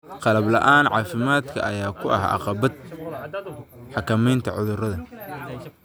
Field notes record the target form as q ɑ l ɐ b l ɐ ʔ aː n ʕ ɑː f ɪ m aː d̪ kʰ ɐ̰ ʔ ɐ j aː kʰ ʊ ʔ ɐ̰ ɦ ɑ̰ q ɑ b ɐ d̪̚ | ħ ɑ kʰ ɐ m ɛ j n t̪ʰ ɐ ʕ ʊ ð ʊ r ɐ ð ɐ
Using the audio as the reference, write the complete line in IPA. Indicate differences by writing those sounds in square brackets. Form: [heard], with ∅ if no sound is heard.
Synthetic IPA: q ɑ l ɐ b l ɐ ʔ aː n ʕ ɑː f ɪ m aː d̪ kʰ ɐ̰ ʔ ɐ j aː kʰ ʊ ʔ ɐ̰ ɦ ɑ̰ q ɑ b ɐ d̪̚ | ħ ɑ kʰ ɐ m ɛ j n t̪ʰ ɐ ʕ ʊ ð ʊ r ɐ ð ɐ

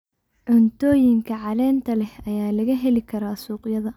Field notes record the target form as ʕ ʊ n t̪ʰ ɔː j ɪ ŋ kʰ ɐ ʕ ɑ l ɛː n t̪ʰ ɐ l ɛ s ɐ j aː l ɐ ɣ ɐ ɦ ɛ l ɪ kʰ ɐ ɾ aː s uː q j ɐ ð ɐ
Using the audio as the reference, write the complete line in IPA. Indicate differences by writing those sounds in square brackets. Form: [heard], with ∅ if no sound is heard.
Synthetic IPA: ʕ ʊ n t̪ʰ ɔː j ɪ ŋ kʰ ɐ ʕ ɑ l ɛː n t̪ʰ ɐ l ɛ [h] ɐ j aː l ɐ ɣ ɐ ɦ ɛ l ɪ kʰ ɐ ɾ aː s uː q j ɐ ð ɐ

